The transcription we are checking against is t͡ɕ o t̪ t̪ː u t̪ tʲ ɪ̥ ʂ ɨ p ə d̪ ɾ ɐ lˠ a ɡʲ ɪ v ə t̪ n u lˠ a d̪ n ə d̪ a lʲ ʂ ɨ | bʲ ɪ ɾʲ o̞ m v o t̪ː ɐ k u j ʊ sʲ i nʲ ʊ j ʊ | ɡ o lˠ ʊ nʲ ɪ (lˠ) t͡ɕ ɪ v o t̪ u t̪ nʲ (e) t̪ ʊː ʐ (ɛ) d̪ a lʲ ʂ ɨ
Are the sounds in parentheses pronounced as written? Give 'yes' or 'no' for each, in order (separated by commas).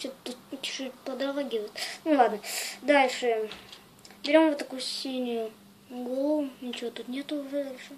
no, yes, yes